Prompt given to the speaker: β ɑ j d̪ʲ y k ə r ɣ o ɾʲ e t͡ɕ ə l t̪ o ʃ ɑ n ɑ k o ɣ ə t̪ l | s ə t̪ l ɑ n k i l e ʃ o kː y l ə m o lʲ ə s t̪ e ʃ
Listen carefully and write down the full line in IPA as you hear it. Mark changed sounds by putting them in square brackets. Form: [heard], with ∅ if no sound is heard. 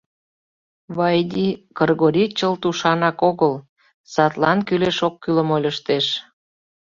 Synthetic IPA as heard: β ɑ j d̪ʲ [i] k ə r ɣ o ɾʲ [i] t͡ɕ ə l t̪ [u] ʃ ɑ n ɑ k o ɣ ə [∅] l | s [ɑ] t̪ l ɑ n k [y] l e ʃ o kː y l ə m o lʲ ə [ʃ] t̪ e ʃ